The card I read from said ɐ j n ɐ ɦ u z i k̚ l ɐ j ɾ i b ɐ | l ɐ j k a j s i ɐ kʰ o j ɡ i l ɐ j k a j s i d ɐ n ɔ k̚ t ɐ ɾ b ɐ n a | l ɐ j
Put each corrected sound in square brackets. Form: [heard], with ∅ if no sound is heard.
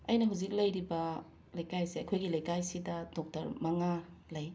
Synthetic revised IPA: ɐ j n ɐ ɦ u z i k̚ l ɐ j ɾ i b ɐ | l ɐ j k a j s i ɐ kʰ o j ɡ i l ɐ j k a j s i d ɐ [d] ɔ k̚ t ɐ ɾ [m] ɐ [ŋ] a | l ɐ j